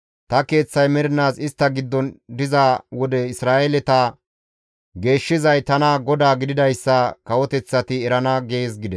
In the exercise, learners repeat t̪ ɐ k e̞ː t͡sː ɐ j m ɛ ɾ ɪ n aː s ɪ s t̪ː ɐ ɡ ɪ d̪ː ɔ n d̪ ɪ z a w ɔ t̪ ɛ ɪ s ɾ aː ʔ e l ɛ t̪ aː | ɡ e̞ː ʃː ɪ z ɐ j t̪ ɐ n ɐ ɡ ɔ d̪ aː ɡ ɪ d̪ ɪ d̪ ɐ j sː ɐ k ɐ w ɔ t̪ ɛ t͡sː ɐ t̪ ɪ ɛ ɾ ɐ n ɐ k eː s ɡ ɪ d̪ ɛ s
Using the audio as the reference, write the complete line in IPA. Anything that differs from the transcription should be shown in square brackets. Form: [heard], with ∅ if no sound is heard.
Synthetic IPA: t̪ ɐ k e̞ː t͡sː ɐ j m ɛ ɾ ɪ n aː s ɪ s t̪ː ɐ ɡ ɪ d̪ː ɔ n d̪ ɪ z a w ɔ [d̪] ɛ ɪ s ɾ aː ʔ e l ɛ t̪ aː | ɡ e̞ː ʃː ɪ z ɐ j t̪ ɐ n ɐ ɡ ɔ d̪ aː ɡ ɪ d̪ ɪ d̪ ɐ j sː ɐ k ɐ w ɔ t̪ ɛ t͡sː ɐ t̪ ɪ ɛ ɾ ɐ n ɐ [ɡ] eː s ɡ ɪ d̪ ɛ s